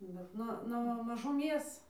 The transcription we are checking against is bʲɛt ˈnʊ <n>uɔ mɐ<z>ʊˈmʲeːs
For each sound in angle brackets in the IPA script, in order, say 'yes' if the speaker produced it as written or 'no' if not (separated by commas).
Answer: yes, no